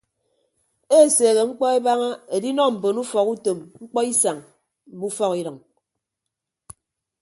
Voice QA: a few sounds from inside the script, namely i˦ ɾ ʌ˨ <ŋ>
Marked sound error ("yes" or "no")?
no